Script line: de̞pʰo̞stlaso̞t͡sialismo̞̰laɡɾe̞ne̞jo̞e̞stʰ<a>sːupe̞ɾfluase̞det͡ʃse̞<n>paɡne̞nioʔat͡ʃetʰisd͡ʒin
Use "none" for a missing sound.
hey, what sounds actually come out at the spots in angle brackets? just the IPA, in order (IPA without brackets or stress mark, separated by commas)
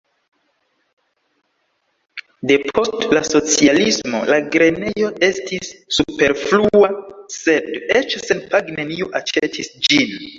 i, n